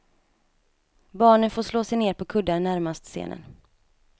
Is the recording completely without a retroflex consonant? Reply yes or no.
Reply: no